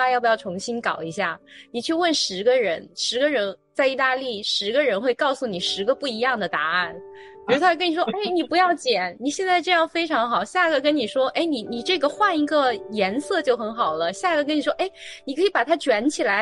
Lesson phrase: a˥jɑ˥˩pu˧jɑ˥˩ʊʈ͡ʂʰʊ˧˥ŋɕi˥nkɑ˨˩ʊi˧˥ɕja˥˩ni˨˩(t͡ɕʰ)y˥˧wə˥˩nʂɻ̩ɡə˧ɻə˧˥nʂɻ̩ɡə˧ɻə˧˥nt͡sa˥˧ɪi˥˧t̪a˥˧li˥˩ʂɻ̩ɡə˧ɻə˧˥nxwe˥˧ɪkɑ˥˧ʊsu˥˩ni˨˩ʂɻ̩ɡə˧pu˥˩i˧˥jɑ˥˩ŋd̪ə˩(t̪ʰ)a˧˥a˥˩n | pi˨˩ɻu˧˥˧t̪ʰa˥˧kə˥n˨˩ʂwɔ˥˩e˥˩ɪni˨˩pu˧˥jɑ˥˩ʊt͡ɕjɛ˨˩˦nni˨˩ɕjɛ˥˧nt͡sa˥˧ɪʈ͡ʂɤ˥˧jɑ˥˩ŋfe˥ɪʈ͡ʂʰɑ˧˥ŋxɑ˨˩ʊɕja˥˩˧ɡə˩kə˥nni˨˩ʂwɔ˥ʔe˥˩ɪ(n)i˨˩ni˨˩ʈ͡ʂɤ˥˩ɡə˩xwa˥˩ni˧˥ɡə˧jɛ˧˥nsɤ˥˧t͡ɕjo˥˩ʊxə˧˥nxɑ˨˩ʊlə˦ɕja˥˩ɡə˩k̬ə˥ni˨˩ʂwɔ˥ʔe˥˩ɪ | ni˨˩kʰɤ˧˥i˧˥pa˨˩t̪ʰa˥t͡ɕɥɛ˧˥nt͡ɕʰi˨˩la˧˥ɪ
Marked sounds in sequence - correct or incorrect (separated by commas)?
correct, incorrect, correct